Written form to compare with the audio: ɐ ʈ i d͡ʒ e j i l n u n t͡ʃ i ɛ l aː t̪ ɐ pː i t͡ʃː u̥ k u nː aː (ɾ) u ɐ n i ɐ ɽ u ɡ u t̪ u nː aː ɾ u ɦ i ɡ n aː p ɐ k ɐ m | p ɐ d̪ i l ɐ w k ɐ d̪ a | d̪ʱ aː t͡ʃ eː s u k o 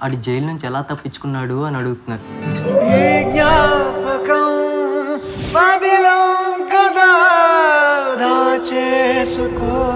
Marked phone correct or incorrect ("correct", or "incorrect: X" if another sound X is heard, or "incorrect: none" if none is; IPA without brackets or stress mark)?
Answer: incorrect: ɽ